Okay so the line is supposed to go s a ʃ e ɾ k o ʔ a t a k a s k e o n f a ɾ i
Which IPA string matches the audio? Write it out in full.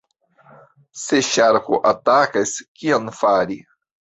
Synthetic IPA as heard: s e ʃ a ɾ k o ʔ a t a k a s k i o n f a ɾ i